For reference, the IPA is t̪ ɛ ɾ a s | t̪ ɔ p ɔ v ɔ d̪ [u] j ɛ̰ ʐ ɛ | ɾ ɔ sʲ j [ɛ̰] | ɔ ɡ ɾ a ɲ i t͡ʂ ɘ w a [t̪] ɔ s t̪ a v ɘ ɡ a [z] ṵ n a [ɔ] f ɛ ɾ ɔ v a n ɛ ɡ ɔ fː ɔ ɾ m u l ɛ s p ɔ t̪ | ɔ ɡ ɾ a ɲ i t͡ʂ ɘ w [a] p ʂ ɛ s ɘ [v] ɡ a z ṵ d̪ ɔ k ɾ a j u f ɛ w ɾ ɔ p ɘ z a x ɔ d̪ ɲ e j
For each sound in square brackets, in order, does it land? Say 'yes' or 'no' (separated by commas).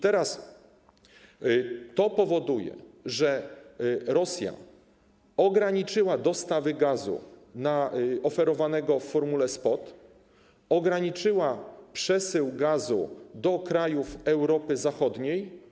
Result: yes, no, no, yes, yes, yes, no